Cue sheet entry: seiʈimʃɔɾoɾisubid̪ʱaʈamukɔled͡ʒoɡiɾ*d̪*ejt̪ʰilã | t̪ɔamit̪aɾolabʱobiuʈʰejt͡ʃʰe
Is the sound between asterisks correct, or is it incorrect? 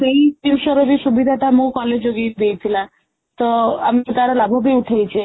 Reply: correct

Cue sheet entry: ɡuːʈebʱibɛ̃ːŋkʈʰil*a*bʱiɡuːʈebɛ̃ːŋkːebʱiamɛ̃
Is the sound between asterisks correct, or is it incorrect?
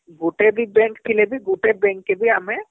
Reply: incorrect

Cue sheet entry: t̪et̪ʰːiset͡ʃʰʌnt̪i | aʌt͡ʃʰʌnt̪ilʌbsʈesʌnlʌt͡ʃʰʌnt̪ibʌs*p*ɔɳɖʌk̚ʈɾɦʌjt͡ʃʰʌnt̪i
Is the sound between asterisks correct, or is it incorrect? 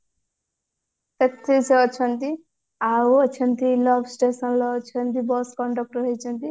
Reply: incorrect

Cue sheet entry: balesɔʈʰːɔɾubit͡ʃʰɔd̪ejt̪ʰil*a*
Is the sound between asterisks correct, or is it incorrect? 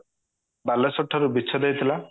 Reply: correct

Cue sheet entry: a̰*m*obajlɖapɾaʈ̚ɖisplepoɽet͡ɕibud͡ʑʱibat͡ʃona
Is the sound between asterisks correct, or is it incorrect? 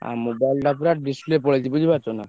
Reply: correct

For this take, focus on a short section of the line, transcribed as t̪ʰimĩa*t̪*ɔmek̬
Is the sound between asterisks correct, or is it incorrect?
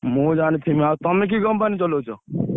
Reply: correct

